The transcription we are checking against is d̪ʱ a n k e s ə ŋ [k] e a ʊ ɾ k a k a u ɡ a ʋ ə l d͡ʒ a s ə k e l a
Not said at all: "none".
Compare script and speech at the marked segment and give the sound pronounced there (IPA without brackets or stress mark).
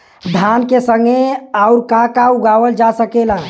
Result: ɡ